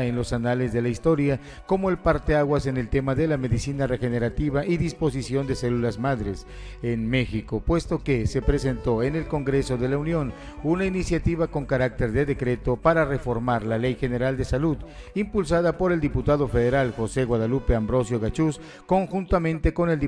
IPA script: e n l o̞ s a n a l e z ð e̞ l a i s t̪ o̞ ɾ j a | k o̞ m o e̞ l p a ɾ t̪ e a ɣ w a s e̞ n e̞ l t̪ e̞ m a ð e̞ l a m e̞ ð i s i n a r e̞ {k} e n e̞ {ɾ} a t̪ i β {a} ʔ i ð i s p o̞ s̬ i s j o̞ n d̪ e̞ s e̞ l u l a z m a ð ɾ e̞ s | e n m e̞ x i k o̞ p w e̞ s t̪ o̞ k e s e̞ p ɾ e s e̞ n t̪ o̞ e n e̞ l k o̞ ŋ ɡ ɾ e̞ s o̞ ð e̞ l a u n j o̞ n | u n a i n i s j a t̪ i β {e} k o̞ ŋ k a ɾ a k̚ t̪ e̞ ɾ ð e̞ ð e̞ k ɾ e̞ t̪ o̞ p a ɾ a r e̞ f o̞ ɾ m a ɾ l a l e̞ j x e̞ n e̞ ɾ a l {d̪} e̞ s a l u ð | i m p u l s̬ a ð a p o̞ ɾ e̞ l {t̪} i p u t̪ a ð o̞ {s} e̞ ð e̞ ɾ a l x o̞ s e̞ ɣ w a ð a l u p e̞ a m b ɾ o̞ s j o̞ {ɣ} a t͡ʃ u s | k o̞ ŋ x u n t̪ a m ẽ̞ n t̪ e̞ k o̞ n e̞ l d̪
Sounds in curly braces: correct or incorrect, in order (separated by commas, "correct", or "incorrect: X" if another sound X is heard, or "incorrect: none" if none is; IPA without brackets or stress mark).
incorrect: x, correct, correct, incorrect: a, correct, incorrect: d̪, incorrect: f, correct